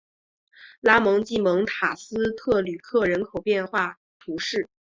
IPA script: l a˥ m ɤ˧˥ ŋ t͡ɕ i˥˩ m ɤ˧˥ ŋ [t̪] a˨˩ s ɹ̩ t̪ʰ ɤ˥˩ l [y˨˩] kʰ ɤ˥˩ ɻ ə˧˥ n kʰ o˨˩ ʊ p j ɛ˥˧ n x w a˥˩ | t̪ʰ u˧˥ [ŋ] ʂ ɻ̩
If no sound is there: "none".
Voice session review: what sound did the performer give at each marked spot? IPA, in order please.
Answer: t̪ʰ, y˨˩, none

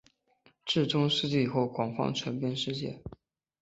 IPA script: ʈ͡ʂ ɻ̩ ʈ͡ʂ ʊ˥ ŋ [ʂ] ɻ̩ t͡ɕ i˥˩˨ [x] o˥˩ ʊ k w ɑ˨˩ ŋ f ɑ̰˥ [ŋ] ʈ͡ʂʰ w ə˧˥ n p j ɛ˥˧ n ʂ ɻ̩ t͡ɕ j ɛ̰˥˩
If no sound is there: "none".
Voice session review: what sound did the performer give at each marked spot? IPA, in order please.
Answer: ʂ, x, ŋ

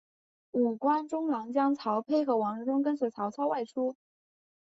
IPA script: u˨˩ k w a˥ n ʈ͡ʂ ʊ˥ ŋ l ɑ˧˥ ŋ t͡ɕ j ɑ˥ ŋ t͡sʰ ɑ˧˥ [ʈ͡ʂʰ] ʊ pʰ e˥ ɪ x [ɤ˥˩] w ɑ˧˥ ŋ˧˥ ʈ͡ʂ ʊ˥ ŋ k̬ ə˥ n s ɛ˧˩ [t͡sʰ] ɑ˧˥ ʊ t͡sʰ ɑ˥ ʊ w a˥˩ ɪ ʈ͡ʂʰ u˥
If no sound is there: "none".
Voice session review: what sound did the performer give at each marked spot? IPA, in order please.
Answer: none, ɤ˧˥, t͡sʰ

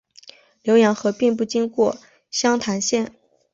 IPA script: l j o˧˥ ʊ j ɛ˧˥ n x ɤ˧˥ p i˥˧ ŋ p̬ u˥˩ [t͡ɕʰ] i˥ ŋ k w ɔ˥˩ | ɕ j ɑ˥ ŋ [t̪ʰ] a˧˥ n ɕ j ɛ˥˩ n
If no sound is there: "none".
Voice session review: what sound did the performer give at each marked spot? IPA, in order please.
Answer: t͡ɕ, t̪ʰ

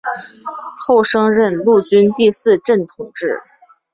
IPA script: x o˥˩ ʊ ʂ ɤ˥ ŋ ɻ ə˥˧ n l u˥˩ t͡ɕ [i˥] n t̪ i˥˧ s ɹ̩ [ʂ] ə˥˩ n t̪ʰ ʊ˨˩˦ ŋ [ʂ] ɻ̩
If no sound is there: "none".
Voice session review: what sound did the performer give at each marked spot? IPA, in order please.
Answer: y˥, ʈ͡ʂ, ʈ͡ʂ

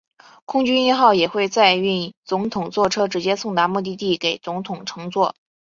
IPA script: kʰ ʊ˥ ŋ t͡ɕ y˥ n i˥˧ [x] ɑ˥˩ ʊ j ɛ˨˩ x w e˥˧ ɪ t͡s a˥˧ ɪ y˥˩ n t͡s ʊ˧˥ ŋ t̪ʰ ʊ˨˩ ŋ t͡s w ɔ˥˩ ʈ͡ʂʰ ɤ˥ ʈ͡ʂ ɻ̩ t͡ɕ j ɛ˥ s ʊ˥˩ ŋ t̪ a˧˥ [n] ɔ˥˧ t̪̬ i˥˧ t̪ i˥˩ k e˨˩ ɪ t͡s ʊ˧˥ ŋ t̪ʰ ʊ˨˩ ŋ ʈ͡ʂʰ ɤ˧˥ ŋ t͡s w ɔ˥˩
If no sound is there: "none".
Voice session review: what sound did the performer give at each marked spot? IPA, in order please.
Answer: x, m

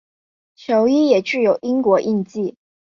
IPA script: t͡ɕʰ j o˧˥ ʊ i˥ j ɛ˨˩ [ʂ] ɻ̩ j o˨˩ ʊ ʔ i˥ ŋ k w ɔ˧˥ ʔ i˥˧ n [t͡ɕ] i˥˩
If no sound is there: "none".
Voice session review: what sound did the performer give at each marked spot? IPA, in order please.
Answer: ʈ͡ʂ, t͡ɕ

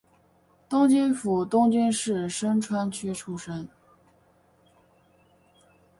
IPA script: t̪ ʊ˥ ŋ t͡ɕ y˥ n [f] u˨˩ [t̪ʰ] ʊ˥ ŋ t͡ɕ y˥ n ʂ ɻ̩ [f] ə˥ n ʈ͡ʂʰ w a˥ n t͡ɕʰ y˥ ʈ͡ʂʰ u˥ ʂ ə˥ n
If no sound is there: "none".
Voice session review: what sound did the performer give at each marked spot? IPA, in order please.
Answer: f, t̪, ʂ

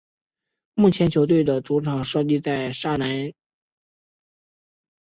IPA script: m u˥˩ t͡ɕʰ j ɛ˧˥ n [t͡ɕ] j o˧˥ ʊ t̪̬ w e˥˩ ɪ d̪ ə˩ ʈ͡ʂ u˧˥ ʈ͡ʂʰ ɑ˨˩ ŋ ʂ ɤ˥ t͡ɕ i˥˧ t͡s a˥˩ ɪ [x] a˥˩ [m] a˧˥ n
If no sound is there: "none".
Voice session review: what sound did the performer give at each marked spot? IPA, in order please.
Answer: t͡ɕʰ, ʂ, n

